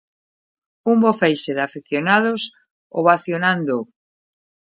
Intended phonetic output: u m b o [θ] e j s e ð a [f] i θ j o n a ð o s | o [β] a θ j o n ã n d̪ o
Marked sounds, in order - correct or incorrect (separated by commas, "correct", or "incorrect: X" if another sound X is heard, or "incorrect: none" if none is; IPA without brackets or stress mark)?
incorrect: f, correct, correct